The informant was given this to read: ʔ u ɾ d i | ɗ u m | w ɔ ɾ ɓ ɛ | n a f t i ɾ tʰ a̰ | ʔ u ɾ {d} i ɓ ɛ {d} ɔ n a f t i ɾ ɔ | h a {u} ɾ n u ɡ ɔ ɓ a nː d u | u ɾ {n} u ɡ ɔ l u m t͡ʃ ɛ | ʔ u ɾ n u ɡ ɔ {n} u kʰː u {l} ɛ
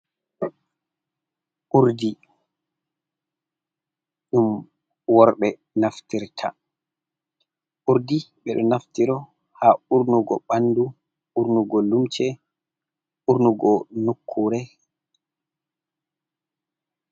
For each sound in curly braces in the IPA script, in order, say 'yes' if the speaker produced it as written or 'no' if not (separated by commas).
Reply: yes, no, yes, yes, yes, no